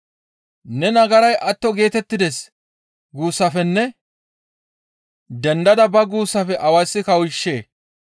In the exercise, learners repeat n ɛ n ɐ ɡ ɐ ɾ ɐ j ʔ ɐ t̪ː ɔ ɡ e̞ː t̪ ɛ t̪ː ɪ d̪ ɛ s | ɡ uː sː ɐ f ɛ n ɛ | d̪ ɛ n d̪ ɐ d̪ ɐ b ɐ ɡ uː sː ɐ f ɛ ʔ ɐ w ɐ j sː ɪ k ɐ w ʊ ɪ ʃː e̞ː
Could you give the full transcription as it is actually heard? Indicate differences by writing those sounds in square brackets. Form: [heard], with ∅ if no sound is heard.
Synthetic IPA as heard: n ɛ n ɐ ɡ ɐ ɾ ɐ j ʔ ɐ t̪ː ɔ ɡ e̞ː t̪ ɛ t̪ː ɪ d̪ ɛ s | ɡ uː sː ɐ f ɛ [nː] ɛ | d̪ ɛ n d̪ ɐ d̪ ɐ b ɐ ɡ uː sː ɐ f ɛ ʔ ɐ w ɐ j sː ɪ k ɐ w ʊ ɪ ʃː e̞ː